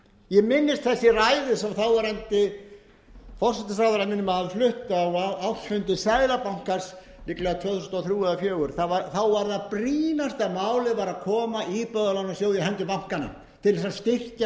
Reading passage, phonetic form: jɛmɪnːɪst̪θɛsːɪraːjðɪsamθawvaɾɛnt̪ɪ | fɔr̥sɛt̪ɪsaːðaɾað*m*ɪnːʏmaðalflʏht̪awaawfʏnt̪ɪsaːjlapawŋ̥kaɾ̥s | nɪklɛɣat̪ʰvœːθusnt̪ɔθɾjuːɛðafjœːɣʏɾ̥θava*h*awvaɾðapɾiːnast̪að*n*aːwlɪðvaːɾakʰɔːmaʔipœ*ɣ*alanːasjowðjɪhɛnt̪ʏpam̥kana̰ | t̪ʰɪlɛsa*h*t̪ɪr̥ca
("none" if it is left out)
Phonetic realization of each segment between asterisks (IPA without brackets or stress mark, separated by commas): m, θ, m, ð, s